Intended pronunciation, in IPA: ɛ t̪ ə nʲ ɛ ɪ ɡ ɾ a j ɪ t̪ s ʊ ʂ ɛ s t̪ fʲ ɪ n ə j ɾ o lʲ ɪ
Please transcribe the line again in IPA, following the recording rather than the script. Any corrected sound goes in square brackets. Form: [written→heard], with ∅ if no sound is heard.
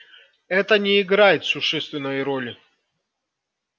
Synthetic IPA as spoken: ɛ t̪ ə nʲ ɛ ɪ ɡ ɾ a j ɪ t̪ s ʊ ʂ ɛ s t̪ [fʲ→vʲ] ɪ n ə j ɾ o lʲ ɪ